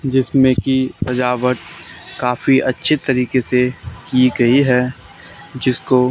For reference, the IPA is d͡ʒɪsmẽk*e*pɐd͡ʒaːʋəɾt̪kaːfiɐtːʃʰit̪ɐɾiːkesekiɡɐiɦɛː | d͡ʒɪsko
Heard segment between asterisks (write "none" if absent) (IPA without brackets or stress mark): i